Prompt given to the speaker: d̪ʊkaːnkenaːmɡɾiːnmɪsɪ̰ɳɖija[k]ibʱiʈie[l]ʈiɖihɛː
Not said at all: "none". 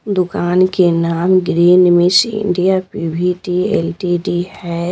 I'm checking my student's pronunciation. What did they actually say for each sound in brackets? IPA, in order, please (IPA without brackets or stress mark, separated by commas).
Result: p, l